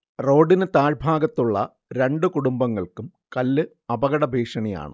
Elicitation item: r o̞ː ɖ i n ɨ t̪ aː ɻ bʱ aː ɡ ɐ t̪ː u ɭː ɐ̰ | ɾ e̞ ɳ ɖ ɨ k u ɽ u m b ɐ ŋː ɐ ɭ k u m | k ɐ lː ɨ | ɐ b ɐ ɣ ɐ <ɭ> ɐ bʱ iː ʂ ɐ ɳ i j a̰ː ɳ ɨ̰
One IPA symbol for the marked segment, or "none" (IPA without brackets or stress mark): ɽ